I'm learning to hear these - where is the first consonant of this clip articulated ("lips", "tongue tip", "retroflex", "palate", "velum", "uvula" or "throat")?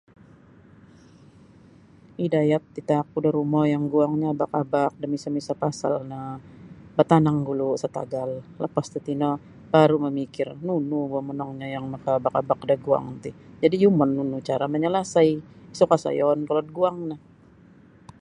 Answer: tongue tip